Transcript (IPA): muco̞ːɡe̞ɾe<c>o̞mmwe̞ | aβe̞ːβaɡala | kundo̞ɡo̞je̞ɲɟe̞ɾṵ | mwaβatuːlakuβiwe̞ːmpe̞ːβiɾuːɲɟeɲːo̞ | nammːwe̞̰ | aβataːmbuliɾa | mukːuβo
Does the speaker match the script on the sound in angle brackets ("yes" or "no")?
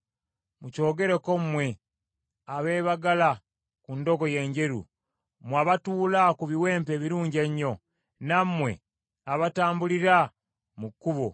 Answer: no